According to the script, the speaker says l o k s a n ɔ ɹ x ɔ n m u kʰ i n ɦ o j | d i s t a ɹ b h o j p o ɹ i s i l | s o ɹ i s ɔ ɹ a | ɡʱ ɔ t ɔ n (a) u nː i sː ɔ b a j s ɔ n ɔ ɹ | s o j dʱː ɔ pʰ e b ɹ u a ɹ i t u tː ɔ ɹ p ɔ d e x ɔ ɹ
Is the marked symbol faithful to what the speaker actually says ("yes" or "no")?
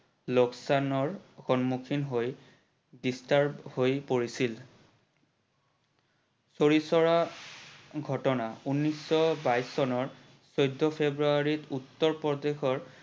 yes